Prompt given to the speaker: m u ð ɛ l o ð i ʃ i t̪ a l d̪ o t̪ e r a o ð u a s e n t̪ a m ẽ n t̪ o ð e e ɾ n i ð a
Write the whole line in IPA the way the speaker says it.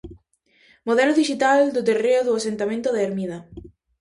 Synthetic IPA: m o ð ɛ l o ð i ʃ i t̪ a l d̪ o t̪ e r e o ð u a s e n t̪ a m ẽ n t̪ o ð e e ɾ m i ð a